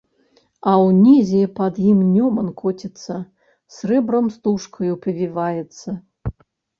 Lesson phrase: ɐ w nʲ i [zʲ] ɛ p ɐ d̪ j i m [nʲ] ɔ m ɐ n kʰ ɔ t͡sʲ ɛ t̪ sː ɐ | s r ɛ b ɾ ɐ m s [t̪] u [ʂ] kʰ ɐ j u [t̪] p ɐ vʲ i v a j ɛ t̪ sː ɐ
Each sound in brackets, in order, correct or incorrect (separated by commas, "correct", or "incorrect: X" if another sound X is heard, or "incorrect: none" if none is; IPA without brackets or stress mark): correct, correct, correct, correct, incorrect: none